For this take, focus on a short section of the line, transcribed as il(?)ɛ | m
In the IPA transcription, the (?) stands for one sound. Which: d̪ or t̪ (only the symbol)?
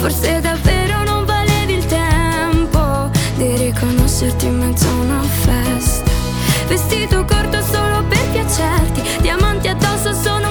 t̪